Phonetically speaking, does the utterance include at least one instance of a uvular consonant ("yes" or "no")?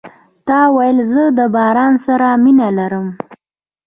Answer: no